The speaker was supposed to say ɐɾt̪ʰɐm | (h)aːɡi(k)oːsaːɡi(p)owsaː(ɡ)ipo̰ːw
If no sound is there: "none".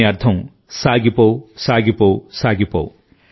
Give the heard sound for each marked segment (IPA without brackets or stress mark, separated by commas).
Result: s, p, p, ɡ